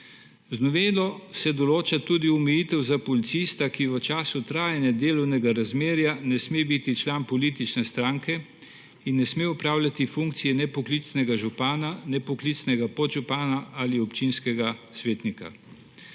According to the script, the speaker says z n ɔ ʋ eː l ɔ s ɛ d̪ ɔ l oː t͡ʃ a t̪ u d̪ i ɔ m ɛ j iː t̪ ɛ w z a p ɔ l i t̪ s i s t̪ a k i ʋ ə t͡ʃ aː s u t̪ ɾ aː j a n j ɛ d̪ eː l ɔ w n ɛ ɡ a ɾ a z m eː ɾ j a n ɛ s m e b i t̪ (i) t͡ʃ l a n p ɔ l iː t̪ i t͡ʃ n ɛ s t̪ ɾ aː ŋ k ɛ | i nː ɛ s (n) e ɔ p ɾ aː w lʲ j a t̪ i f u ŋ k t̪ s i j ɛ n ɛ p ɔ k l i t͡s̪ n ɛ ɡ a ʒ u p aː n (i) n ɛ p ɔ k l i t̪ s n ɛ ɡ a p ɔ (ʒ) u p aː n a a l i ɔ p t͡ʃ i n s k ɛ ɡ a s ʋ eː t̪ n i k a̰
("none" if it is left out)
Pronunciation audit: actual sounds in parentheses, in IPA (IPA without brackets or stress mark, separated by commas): i, m, a, ʒ